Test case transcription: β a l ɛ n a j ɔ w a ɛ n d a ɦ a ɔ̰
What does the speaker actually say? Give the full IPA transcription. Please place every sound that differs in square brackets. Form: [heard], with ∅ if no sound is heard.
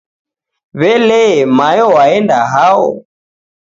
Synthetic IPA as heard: β [ɛ] l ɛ [m] a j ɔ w a ɛ n d a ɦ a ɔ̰